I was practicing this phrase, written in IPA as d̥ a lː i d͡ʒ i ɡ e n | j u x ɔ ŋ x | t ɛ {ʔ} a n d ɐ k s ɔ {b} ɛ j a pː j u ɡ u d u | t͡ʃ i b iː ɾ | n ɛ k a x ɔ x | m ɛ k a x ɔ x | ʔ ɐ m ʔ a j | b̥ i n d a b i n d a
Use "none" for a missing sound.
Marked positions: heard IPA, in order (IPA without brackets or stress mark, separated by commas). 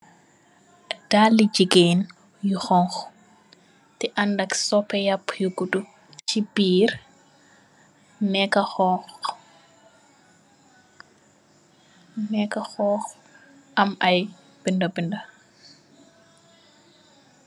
ʔ, p